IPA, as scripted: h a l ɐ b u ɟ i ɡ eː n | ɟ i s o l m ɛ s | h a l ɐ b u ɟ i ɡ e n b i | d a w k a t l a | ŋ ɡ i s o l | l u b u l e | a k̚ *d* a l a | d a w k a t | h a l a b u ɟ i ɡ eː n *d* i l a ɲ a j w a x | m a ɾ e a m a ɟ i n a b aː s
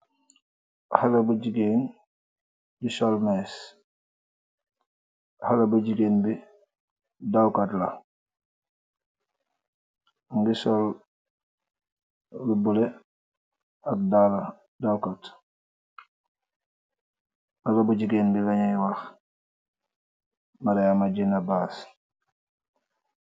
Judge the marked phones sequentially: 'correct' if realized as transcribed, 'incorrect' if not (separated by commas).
correct, incorrect